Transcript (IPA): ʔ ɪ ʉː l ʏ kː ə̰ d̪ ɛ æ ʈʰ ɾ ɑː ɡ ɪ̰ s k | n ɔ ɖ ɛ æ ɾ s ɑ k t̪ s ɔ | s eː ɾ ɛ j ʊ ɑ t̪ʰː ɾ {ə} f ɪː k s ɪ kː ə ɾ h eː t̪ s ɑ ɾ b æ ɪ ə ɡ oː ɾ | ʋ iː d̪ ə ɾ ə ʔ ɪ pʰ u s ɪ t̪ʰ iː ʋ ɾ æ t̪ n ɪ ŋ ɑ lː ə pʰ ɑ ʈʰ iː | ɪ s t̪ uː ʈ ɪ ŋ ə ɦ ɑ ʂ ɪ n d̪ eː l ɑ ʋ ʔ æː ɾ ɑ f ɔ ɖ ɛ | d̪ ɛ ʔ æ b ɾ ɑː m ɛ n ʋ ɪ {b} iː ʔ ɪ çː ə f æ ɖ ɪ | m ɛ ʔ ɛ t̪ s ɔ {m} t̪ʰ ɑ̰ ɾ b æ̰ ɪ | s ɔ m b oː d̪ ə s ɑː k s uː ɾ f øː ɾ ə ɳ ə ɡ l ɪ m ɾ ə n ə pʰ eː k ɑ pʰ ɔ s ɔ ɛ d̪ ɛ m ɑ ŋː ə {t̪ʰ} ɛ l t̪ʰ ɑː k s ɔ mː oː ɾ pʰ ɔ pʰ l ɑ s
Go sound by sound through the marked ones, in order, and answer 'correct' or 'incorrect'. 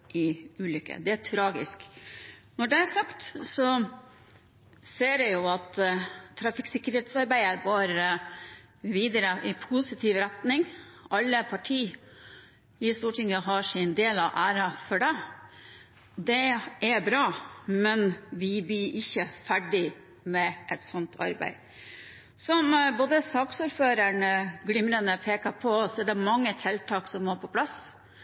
incorrect, correct, incorrect, correct

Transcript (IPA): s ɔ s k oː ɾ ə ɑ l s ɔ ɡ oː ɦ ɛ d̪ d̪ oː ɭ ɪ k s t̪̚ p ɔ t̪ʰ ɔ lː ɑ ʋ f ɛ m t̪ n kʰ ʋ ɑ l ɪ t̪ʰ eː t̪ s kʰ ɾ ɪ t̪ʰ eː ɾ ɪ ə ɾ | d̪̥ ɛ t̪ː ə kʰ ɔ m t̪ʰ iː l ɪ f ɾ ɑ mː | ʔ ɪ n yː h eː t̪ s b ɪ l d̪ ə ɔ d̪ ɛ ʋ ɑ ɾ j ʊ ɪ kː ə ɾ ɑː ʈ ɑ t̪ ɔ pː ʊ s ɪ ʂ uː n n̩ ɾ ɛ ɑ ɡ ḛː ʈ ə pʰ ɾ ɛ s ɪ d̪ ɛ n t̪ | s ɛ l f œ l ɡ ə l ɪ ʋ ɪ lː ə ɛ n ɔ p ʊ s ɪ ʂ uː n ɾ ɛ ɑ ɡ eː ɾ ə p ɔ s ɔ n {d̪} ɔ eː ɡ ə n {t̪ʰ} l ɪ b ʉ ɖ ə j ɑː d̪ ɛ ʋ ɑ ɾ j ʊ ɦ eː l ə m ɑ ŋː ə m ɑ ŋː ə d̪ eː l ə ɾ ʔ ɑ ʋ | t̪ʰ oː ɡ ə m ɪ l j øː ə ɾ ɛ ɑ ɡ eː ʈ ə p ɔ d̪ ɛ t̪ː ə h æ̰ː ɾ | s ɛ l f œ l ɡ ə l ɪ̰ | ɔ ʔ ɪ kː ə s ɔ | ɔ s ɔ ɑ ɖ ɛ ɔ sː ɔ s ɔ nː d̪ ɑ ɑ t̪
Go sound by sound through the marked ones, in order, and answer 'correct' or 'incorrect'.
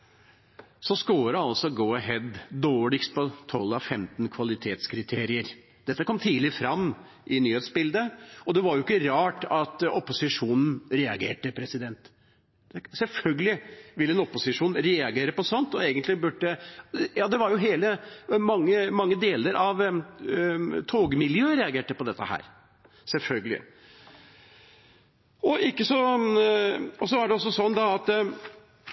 incorrect, incorrect

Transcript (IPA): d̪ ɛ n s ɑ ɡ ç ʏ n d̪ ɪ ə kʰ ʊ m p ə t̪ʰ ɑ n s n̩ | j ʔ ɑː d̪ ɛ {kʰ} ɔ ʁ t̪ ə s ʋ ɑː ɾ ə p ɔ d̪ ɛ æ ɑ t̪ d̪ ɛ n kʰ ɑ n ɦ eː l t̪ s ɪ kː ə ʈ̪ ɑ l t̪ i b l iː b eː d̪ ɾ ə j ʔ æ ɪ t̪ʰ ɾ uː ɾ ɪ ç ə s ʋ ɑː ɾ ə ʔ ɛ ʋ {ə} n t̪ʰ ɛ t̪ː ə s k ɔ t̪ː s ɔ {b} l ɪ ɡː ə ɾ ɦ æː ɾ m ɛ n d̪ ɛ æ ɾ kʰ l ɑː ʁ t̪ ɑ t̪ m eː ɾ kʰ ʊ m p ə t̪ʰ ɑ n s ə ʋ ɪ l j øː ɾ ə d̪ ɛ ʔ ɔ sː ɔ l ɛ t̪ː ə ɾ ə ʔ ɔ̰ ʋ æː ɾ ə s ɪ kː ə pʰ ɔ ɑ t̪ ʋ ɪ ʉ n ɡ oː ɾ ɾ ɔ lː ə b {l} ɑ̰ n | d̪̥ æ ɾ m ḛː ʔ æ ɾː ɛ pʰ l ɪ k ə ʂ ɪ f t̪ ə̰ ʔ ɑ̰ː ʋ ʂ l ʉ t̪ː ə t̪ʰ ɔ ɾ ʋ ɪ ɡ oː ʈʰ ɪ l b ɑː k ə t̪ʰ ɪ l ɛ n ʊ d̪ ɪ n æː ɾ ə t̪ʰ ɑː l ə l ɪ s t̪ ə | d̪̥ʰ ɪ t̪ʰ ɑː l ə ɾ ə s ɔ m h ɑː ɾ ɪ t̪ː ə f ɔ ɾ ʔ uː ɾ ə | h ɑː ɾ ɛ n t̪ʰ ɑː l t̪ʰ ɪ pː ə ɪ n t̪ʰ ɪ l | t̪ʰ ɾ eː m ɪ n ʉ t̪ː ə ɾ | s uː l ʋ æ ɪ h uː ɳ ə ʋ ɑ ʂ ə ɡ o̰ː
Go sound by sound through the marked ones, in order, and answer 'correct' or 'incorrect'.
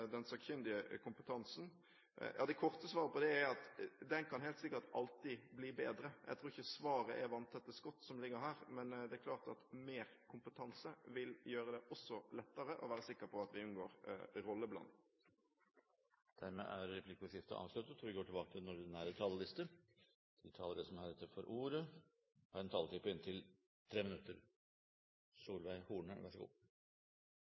correct, incorrect, incorrect, correct

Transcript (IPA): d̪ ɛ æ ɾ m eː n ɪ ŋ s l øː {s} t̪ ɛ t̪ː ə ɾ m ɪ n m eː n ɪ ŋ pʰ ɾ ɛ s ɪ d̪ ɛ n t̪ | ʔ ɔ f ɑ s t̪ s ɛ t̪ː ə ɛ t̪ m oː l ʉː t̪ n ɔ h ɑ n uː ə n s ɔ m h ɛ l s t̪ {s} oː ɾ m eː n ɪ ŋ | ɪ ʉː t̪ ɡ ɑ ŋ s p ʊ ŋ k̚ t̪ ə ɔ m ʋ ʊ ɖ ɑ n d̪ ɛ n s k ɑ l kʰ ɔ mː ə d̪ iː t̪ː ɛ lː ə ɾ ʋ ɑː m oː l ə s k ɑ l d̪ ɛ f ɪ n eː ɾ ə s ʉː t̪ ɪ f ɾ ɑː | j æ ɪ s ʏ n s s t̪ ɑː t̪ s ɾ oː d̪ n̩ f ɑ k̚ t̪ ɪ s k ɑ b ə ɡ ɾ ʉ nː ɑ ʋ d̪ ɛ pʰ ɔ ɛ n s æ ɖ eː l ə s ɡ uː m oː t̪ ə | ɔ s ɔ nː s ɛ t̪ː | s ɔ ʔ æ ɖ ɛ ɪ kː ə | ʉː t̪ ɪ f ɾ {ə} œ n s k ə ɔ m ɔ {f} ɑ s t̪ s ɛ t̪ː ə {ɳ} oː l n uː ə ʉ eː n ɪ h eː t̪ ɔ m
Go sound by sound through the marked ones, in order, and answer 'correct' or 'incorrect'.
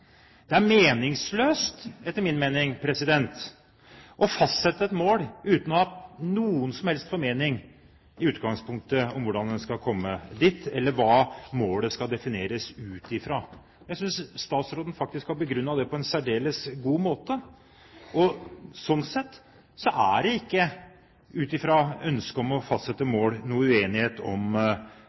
correct, incorrect, incorrect, correct, incorrect

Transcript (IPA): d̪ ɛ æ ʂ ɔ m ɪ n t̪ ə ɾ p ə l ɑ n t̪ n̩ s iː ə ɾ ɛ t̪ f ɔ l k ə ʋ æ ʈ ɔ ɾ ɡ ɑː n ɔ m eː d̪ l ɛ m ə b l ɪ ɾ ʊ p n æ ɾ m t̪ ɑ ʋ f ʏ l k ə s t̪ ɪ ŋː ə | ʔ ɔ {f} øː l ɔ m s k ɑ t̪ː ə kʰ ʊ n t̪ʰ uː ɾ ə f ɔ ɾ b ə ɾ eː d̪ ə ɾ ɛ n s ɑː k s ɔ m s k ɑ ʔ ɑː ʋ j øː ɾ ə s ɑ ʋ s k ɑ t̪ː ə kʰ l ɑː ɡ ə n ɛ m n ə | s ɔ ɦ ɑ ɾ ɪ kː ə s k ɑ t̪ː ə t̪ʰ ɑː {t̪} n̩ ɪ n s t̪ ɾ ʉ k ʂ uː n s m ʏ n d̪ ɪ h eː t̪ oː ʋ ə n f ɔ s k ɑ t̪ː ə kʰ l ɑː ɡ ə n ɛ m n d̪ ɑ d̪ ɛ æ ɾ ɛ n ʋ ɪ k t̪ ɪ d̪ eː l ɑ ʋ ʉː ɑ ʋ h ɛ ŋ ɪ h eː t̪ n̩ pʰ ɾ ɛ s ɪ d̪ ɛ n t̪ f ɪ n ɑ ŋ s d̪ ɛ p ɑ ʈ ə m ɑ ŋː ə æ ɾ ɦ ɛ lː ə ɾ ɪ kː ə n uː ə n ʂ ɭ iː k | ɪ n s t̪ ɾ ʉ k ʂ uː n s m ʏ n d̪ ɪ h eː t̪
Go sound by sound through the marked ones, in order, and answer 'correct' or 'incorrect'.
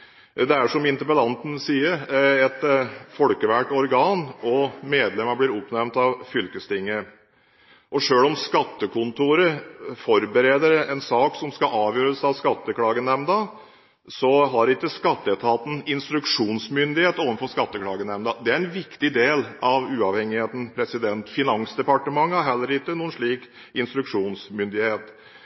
incorrect, correct

